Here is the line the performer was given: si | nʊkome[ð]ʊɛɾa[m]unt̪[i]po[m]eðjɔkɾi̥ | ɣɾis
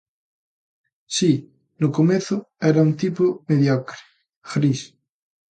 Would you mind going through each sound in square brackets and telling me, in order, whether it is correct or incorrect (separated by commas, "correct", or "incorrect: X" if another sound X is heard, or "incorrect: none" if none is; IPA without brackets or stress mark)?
incorrect: θ, incorrect: none, correct, correct